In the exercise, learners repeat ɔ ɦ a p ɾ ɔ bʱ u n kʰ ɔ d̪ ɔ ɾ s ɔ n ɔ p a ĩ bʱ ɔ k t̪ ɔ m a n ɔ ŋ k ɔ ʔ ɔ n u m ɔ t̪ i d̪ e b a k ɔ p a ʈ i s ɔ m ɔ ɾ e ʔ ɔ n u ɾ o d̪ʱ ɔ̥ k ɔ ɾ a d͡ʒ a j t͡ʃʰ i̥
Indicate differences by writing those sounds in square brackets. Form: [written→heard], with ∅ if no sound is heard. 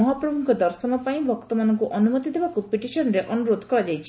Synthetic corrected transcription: ɔ ɦ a p ɾ ɔ bʱ u [n→ŋ] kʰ ɔ d̪ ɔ ɾ s ɔ n ɔ p a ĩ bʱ ɔ k t̪ ɔ m a n ɔ ŋ k [ɔ→u] ʔ ɔ n u m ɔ t̪ i d̪ e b a k [ɔ→u] p [a→i] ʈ i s ɔ [m→n] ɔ ɾ e ʔ ɔ n u ɾ o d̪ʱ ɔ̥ k ɔ ɾ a d͡ʒ a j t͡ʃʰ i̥